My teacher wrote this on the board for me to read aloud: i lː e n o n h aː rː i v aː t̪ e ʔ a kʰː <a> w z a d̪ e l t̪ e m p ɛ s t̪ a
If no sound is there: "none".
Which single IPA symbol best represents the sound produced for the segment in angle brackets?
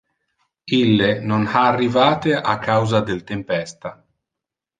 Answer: a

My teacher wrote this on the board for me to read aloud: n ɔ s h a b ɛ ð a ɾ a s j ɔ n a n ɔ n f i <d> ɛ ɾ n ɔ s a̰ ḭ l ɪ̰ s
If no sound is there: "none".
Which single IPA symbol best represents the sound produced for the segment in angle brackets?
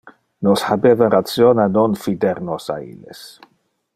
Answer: d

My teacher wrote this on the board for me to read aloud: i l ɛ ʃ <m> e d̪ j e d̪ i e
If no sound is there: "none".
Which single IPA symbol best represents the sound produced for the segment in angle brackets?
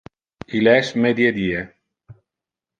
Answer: m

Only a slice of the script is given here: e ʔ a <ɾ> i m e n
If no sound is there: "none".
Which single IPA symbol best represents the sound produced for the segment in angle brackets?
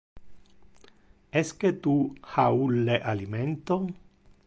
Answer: l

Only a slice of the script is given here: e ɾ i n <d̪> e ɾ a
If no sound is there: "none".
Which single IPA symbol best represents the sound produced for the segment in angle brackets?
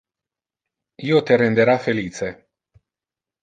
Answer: d̪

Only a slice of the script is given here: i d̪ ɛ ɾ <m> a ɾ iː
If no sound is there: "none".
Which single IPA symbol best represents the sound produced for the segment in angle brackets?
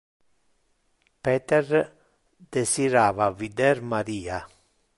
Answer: m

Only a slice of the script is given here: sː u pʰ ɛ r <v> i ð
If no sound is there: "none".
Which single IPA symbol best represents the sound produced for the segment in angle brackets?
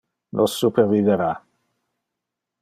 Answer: v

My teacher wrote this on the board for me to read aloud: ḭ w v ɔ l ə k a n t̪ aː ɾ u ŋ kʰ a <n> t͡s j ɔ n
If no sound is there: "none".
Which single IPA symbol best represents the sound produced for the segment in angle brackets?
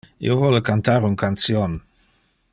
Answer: n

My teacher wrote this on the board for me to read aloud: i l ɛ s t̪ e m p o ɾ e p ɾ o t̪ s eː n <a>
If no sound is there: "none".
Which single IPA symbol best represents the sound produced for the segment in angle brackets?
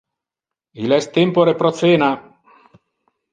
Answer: a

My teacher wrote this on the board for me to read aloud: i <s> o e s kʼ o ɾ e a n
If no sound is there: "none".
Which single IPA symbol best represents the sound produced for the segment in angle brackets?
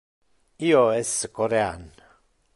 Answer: none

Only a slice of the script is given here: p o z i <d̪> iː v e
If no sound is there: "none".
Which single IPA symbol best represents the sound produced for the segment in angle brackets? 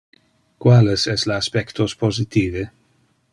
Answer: t̪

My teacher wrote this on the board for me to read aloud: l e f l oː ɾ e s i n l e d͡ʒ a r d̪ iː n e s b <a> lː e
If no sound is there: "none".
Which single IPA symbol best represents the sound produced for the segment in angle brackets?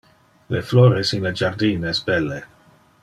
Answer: ɛ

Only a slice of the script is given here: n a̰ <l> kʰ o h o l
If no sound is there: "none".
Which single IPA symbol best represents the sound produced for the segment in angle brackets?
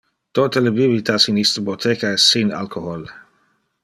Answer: l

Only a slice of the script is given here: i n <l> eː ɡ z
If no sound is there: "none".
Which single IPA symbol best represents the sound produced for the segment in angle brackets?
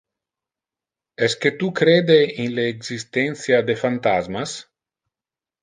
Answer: l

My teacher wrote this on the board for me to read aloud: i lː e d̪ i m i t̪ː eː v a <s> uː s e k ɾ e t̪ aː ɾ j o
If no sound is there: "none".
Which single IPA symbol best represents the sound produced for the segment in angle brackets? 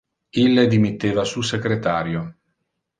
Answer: s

